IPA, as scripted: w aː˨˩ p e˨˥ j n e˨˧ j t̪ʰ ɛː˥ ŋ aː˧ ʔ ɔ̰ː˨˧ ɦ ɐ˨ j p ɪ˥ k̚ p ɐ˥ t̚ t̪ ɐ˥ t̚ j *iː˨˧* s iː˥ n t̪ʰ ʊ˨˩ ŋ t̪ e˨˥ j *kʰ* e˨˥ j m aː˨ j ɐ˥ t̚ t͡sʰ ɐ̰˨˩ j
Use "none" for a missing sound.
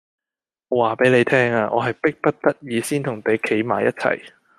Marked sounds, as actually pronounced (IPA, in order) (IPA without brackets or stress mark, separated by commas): iː˨˧, kʰ